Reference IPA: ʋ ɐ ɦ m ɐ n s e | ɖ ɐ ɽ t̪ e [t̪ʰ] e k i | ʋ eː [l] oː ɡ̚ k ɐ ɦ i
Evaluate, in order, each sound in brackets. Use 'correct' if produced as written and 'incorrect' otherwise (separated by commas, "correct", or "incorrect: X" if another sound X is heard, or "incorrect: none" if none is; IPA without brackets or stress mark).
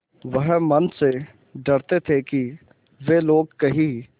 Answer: correct, correct